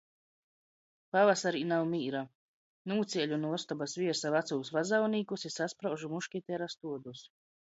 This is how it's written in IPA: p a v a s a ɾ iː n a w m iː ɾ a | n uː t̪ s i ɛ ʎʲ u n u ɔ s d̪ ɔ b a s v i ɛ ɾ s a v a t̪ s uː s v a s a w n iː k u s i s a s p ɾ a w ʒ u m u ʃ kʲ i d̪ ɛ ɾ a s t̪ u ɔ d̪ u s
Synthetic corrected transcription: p a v a s a ɾ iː n a w m iː ɾ a | n uː t̪ s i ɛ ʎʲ u n u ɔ s t̪ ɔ b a s v i ɛ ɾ s a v a t̪ s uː s v a z a w n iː k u s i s a s p ɾ a w ʒ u m u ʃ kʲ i t̪ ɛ ɾ a s t̪ u ɔ d̪ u s